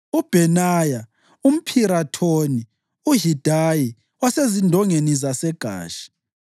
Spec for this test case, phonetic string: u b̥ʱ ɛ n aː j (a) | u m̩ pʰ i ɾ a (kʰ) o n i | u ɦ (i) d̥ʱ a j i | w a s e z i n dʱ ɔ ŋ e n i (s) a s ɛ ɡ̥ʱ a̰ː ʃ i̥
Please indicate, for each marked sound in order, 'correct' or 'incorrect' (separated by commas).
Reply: correct, incorrect, correct, incorrect